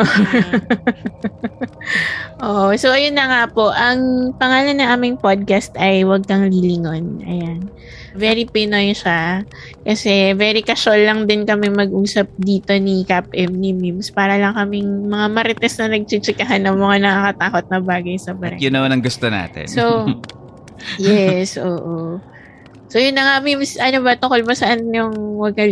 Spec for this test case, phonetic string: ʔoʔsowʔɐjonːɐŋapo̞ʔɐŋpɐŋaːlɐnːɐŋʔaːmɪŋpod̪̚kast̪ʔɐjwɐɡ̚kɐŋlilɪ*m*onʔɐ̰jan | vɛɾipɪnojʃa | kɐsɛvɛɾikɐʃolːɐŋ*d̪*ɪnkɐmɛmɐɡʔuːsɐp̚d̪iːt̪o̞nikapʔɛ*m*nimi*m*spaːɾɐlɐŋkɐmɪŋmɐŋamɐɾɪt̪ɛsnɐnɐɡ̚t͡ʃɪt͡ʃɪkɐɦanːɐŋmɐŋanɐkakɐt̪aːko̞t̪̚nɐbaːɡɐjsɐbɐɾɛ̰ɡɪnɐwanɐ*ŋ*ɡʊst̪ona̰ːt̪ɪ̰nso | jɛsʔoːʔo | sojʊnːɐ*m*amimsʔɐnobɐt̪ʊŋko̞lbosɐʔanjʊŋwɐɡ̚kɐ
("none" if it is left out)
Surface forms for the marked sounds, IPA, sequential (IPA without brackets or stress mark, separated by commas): ŋ, d̪, m, m, ŋ, ŋ